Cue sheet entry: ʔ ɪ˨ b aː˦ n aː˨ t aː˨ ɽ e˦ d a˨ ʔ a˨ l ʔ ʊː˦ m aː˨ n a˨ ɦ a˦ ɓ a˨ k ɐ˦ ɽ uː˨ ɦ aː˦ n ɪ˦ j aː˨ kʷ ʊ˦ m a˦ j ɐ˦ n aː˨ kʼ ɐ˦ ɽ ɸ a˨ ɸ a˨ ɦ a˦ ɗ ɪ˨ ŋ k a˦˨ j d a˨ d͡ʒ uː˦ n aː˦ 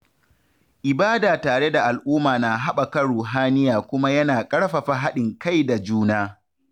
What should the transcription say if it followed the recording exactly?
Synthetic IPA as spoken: ʔ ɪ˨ b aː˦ d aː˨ t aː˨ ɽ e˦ d a˨ ʔ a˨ l ʔ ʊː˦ m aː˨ n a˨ ɦ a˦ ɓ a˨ k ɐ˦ ɽ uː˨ ɦ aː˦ n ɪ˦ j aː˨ kʷ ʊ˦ m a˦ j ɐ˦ n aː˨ kʼ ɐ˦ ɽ ɸ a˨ ɸ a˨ ɦ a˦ ɗ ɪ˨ ŋ k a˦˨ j d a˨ d͡ʒ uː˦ n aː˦